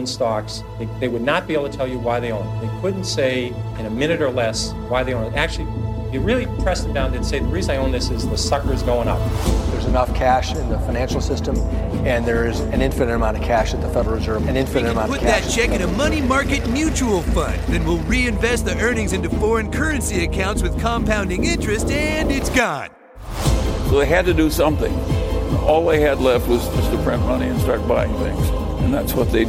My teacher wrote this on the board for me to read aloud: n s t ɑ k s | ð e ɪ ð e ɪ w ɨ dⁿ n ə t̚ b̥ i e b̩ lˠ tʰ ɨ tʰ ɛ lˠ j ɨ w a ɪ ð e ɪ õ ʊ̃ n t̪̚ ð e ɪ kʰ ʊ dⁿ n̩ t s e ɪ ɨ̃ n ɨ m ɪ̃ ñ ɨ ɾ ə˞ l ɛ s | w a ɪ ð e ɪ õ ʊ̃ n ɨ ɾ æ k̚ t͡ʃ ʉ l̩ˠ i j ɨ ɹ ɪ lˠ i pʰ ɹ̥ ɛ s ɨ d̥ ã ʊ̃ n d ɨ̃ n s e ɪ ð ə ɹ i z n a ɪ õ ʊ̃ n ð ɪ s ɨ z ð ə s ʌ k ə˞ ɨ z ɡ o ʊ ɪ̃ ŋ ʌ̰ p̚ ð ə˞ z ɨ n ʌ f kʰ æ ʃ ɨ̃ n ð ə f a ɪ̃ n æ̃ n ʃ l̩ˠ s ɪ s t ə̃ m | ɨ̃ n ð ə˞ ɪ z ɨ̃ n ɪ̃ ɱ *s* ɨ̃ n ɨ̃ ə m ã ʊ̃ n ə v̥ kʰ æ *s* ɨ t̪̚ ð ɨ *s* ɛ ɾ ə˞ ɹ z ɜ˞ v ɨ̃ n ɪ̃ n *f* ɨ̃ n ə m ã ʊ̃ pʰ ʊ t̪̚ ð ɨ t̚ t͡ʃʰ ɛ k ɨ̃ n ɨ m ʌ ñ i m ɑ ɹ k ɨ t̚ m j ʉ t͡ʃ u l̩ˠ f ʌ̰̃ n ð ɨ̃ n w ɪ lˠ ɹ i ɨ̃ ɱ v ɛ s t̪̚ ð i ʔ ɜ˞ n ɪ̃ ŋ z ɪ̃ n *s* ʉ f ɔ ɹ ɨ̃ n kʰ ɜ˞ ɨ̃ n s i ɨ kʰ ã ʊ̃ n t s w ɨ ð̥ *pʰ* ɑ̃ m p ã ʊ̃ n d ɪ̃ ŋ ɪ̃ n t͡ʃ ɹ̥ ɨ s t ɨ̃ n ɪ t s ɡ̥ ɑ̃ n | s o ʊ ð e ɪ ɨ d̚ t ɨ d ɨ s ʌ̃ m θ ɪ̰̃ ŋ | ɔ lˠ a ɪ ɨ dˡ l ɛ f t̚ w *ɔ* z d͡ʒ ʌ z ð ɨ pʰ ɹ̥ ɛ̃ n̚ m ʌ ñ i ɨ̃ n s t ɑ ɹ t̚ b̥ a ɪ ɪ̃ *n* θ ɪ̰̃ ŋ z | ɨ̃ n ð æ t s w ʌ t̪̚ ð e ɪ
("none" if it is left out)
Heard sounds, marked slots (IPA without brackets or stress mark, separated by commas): f, ʃ, f, f, t, kʰ, ʌ, ŋ